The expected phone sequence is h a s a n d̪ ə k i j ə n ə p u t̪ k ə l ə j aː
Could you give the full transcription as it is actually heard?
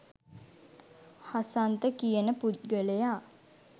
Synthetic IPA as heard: h a s a n t̪ ə k i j ə n ə p u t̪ ɡ ə l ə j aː